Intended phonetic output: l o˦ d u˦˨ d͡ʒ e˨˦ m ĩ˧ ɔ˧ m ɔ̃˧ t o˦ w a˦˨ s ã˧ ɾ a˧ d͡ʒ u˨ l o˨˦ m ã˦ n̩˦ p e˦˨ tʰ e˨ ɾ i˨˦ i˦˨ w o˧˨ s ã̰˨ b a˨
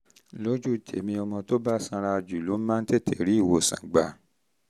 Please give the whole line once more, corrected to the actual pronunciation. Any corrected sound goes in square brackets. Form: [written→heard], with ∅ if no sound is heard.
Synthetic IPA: l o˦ [d→d͡ʒ] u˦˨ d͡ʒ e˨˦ m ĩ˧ ɔ˧ m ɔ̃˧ t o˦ [w→b] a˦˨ s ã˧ ɾ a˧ d͡ʒ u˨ l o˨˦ m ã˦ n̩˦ [p→t] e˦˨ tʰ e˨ ɾ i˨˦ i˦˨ w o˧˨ s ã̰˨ [b→ɡ͡b] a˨